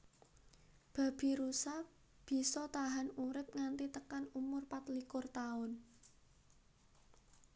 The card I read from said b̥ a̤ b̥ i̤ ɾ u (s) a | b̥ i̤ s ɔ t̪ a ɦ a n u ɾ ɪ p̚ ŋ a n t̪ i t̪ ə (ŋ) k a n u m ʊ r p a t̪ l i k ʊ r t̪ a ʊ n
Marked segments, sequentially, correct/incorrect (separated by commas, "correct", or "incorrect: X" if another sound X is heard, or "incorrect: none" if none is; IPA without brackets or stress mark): correct, incorrect: none